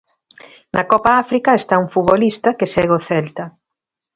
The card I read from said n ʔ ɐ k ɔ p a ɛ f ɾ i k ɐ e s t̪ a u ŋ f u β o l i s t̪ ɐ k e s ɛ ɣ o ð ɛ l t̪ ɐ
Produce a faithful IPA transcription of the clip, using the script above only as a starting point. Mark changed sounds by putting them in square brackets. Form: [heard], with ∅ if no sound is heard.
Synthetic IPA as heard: n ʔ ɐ k ɔ p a [a] f ɾ i k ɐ e s t̪ a u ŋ f u β o l i s t̪ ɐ k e s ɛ ɣ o [θ] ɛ l t̪ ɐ